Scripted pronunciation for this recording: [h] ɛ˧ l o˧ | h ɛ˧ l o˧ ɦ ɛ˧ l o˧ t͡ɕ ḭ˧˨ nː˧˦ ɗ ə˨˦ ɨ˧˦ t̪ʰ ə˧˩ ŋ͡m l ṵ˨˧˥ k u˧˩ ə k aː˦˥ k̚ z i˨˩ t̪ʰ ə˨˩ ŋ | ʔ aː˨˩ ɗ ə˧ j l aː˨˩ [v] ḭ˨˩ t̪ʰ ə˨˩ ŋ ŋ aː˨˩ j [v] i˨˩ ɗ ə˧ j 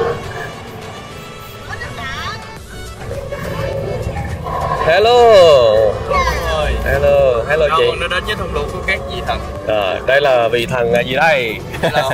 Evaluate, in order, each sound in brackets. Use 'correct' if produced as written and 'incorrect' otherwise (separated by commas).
correct, correct, incorrect